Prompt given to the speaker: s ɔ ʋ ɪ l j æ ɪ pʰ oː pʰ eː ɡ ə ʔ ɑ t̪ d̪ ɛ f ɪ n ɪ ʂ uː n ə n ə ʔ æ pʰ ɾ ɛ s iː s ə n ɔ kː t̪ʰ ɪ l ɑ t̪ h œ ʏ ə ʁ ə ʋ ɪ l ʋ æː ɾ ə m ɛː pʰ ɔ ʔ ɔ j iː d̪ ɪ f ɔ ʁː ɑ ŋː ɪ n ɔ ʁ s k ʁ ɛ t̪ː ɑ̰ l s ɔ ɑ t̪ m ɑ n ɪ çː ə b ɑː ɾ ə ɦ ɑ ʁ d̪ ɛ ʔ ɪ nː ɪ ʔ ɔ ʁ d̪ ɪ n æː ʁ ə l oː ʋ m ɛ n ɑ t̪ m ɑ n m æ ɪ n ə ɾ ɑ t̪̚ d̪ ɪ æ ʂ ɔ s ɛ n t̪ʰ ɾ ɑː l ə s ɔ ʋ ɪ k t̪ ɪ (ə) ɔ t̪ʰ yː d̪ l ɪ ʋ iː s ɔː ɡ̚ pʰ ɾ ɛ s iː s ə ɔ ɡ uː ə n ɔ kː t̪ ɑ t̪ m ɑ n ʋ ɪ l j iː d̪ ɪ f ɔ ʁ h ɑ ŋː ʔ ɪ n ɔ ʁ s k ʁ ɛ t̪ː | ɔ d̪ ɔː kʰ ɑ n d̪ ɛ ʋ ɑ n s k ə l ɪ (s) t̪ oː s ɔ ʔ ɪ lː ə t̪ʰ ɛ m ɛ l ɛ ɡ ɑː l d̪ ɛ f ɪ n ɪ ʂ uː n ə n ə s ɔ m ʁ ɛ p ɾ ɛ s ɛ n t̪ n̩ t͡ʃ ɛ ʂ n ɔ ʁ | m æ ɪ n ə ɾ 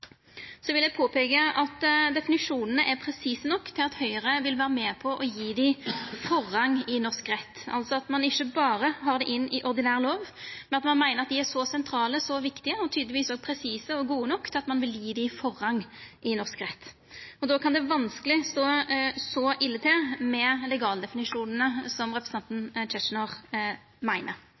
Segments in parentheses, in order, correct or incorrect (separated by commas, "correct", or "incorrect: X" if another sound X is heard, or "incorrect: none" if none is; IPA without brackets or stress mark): correct, correct